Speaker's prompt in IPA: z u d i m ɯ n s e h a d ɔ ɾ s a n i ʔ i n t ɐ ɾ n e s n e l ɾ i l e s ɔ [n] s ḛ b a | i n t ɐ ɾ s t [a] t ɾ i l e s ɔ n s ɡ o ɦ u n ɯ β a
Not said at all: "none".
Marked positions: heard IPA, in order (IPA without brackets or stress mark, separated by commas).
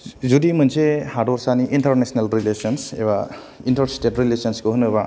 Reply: n, e